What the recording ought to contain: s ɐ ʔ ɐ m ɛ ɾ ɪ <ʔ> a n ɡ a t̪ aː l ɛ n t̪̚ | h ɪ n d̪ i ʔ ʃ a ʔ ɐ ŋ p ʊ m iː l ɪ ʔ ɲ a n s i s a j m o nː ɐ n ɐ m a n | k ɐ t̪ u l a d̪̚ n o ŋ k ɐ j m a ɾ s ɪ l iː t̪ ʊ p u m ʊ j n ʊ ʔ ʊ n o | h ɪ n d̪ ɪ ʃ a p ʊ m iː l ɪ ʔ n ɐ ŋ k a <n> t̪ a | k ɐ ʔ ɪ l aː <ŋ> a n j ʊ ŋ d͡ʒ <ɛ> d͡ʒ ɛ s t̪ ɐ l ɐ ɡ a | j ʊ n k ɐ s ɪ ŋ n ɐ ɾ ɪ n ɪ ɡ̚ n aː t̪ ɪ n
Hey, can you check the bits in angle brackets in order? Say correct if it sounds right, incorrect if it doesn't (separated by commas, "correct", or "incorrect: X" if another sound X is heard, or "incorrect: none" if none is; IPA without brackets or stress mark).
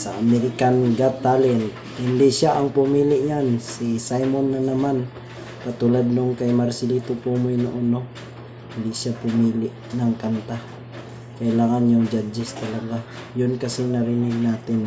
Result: incorrect: k, correct, correct, incorrect: a